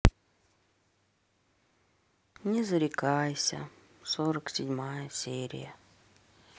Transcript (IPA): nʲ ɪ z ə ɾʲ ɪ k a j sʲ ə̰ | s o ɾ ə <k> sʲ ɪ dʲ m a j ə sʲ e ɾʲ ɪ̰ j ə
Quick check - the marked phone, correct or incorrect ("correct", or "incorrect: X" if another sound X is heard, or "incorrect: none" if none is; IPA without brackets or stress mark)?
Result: correct